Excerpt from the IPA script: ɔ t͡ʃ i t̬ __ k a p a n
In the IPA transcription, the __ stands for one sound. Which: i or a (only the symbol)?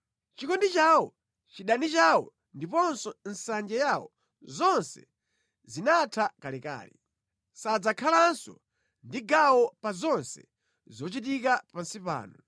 i